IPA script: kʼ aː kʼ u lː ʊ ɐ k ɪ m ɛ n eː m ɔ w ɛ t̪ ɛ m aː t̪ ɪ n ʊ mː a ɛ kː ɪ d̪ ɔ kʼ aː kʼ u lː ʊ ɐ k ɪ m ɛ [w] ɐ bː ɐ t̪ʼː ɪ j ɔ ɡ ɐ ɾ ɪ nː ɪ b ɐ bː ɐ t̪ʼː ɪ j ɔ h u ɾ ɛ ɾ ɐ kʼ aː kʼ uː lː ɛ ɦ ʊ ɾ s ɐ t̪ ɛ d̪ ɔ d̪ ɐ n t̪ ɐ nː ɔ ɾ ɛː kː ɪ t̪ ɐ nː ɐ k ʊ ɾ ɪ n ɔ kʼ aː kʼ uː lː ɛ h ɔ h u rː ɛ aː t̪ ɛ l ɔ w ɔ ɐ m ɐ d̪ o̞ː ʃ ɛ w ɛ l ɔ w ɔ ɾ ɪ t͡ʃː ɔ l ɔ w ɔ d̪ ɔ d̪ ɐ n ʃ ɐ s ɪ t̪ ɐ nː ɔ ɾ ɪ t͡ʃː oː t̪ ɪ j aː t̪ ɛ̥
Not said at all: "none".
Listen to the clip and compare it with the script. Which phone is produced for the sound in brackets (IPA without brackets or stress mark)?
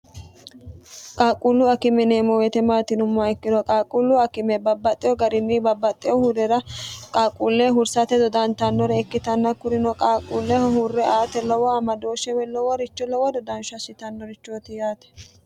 b